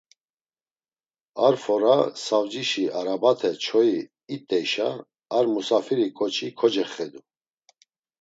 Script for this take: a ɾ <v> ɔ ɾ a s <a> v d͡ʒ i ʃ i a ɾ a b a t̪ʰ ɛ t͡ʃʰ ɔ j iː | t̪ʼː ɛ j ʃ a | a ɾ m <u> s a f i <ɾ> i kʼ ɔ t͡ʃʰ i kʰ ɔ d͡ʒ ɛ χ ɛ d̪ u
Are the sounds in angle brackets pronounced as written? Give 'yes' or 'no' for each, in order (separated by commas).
no, yes, yes, yes